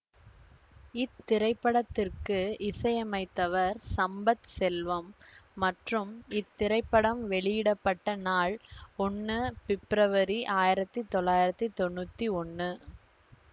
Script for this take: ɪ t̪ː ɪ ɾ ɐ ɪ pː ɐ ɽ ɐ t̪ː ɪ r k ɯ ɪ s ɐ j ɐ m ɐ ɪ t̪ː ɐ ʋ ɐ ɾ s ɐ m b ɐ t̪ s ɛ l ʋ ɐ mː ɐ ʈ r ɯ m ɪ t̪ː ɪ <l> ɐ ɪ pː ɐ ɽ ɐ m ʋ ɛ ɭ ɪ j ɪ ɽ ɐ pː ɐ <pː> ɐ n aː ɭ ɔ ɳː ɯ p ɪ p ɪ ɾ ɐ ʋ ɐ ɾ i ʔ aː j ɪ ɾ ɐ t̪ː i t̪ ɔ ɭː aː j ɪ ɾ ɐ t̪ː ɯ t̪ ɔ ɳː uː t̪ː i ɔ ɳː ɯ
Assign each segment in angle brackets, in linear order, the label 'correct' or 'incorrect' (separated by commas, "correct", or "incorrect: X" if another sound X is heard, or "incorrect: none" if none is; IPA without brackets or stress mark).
incorrect: ɾ, incorrect: ʈː